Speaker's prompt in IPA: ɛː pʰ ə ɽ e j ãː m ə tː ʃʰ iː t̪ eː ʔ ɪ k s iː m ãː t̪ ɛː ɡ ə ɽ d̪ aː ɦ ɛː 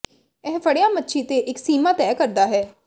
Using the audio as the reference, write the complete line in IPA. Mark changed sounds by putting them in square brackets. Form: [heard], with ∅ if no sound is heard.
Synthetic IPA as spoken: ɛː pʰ ə ɽ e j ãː m ə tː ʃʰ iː t̪ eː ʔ ɪ k s iː m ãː t̪ ɛː [k] ə [ɾ] d̪ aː ɦ ɛː